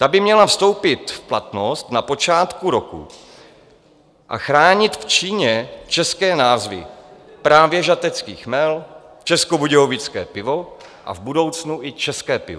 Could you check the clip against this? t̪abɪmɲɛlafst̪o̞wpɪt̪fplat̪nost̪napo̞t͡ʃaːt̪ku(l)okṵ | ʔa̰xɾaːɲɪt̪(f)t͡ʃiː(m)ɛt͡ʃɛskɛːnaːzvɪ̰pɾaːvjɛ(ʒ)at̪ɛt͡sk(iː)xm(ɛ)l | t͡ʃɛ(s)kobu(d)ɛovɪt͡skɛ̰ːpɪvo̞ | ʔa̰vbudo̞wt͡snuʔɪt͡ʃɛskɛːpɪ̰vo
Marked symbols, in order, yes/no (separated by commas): no, yes, no, yes, yes, yes, yes, no